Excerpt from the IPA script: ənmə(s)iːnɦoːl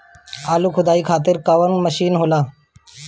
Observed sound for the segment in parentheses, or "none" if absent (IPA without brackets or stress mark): ʃ